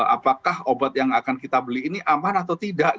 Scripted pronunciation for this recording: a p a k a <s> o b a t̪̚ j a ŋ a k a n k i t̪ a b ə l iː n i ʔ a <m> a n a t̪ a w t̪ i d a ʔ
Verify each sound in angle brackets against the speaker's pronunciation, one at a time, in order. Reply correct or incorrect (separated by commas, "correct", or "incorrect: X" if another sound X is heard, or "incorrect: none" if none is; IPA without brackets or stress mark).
incorrect: h, correct